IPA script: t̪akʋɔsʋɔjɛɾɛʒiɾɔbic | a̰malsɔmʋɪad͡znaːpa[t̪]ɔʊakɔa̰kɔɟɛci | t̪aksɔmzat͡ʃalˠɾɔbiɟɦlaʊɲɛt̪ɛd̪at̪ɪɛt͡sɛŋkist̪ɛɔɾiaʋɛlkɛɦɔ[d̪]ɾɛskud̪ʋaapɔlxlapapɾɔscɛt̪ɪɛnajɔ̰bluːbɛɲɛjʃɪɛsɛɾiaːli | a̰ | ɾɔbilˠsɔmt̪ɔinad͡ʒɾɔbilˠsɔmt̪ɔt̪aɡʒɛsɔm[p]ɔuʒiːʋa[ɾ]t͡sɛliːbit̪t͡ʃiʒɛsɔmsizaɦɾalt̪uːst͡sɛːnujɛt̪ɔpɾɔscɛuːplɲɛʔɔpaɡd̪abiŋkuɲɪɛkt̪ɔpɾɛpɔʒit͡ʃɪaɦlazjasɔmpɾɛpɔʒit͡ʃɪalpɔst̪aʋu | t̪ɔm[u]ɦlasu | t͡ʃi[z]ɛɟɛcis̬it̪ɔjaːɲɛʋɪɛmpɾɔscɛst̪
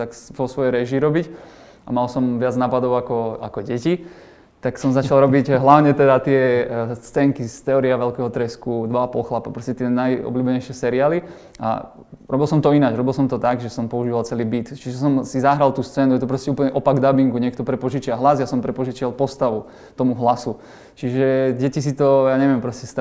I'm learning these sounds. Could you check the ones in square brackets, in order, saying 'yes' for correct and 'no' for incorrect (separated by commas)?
no, no, yes, no, yes, no